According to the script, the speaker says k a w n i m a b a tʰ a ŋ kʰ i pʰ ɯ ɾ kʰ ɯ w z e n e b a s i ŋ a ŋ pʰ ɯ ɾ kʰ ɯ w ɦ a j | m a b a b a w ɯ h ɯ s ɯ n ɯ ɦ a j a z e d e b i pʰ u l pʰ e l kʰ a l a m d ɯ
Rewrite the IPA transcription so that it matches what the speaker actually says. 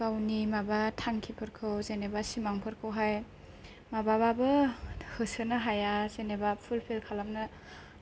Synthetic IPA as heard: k a w n i m a b a tʰ a ŋ kʰ i pʰ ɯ ɾ kʰ ɯ w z e n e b a s i m a ŋ pʰ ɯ ɾ kʰ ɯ w ɦ a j | m a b a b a b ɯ h ɯ s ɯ n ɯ ɦ a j a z e n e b a pʰ u l pʰ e l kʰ a l a m n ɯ